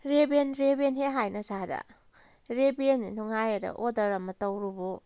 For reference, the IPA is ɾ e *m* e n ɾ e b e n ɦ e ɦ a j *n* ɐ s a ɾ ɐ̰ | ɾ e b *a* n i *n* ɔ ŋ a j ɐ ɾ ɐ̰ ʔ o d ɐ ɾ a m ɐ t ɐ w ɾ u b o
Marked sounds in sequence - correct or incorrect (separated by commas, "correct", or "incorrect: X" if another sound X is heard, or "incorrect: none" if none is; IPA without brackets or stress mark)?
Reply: incorrect: b, correct, incorrect: e, correct